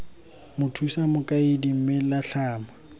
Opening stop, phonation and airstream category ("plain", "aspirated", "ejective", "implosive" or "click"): aspirated